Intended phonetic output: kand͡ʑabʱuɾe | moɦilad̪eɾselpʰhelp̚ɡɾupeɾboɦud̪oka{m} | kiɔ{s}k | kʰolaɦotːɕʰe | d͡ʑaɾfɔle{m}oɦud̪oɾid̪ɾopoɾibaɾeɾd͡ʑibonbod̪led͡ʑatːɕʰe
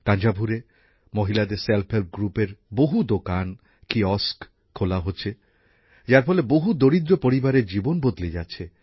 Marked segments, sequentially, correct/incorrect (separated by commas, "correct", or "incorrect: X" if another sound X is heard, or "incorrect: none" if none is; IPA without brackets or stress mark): incorrect: n, correct, incorrect: b